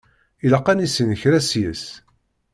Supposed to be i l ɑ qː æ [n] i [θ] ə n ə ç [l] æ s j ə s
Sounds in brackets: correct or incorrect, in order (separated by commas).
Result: correct, incorrect, incorrect